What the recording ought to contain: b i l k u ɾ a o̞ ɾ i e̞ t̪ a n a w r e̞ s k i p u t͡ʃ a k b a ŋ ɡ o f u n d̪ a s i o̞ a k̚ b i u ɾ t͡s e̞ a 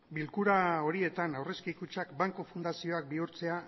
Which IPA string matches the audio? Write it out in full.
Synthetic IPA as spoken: b i l k u ɾ a o̞ ɾ i e̞ t̪ a n a w r e̞ s k i k u t͡ʃ a k b a ŋ k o f u n d̪ a s i o̞ a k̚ b i u ɾ t͡s e̞ a